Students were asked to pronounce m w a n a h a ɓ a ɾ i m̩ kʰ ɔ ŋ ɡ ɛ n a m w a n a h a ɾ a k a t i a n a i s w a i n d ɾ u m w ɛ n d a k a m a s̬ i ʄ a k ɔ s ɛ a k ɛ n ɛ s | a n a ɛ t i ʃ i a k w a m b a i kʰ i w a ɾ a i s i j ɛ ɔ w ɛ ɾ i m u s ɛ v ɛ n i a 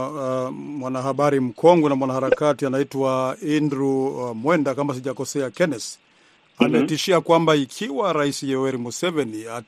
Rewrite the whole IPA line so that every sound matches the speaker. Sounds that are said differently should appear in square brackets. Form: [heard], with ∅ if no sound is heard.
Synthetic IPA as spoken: m w a n a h a ɓ a ɾ i m̩ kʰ ɔ ŋ ɡ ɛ n a m w a n a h a ɾ a k a t i a n a i [t] w a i n d ɾ u m w ɛ n d a k a m a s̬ i ʄ a k ɔ s ɛ a k ɛ n ɛ s | a n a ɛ t i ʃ i a k w a m b a i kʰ i w a ɾ a i s i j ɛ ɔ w ɛ ɾ i m u s ɛ v ɛ n i a